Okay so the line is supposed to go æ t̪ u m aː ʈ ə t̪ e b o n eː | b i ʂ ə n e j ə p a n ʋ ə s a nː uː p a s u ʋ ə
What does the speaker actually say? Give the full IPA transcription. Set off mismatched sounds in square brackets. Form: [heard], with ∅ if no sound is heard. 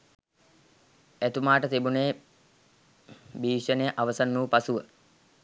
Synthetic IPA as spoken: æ t̪ u m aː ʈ ə t̪ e b [u] n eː | b [iː] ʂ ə n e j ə [ʔ] a [∅] ʋ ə s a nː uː p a s u ʋ ə